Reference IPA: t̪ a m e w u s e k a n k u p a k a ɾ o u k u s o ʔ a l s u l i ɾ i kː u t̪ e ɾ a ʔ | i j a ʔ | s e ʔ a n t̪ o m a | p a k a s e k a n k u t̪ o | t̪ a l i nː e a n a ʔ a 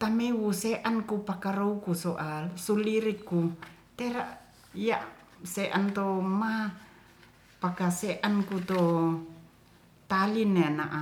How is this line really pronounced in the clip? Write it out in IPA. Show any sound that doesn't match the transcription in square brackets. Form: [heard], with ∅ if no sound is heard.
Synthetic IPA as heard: t̪ a m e w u s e [ʔ] a n k u p a k a ɾ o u k u s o ʔ a l s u l i ɾ i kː u t̪ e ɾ a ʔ | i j a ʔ | s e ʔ a n t̪ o m a | p a k a s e [ʔ] a n k u t̪ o | t̪ a l i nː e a n a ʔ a